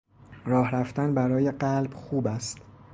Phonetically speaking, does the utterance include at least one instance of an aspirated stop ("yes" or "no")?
no